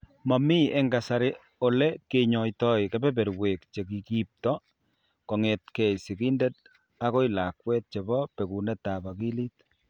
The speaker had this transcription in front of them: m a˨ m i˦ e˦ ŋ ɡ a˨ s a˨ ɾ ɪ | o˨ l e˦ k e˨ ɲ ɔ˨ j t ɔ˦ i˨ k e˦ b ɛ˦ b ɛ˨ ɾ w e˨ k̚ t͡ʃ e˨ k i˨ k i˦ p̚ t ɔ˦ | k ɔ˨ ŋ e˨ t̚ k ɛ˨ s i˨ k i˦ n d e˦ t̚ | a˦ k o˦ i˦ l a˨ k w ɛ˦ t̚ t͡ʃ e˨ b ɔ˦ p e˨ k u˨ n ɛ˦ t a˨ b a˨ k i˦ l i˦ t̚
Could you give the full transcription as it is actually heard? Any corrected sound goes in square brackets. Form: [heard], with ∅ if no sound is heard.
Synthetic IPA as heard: m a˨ m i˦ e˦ ŋ ɡ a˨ s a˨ ɾ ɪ | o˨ l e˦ k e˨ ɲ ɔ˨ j t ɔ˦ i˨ k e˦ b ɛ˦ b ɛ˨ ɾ w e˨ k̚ t͡ʃ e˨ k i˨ k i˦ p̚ t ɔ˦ | k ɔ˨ ŋ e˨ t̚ k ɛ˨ s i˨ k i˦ n d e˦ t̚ | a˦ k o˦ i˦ l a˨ k w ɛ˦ t̚ t͡ʃ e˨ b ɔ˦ p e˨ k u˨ n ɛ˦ t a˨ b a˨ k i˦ l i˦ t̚